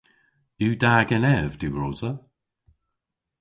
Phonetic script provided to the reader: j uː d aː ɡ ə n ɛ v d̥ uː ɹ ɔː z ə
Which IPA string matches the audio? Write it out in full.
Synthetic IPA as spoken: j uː d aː ɡ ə n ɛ v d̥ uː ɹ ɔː z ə